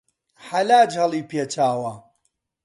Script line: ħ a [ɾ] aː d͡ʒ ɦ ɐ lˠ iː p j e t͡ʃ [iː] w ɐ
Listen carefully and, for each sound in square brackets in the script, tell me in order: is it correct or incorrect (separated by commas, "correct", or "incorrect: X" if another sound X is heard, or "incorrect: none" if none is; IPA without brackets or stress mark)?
incorrect: l, incorrect: aː